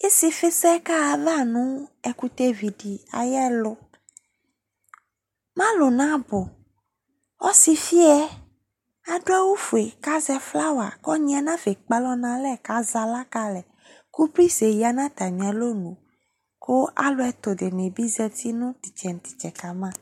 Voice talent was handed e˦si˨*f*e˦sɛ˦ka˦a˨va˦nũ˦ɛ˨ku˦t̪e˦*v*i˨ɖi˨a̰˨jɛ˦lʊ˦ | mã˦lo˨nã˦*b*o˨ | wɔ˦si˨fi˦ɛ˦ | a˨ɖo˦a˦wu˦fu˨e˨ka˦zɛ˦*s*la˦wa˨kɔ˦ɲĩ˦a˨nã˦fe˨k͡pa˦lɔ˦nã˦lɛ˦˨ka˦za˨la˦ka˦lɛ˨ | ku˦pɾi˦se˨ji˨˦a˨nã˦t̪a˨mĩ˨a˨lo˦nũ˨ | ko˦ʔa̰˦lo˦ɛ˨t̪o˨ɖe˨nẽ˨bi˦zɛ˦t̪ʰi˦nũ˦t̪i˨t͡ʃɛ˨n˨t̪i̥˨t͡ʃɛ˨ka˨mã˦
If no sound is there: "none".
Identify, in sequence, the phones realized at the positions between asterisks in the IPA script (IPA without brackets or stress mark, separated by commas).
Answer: f, v, b, f